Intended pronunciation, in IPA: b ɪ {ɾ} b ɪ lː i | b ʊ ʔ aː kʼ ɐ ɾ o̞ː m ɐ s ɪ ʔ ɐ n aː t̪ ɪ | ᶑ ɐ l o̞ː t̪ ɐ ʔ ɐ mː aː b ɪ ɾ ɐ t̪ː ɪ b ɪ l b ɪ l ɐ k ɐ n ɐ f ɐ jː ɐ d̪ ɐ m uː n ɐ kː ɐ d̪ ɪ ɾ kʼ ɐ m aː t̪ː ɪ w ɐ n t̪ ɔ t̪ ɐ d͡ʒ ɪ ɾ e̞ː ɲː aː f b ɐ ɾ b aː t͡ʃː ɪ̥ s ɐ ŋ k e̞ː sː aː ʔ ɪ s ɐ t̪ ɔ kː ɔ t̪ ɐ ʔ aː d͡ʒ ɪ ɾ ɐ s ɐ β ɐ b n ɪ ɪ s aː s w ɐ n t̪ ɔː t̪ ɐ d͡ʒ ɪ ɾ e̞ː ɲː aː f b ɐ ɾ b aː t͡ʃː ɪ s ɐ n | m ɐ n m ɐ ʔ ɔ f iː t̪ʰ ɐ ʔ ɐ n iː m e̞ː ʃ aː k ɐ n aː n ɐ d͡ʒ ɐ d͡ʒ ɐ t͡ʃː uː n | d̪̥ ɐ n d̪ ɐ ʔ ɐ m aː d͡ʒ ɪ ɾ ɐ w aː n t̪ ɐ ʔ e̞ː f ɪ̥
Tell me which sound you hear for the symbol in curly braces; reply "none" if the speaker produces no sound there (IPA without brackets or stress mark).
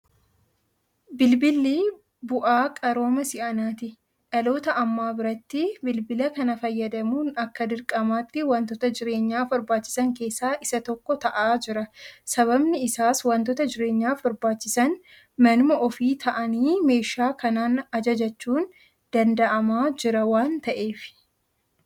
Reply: l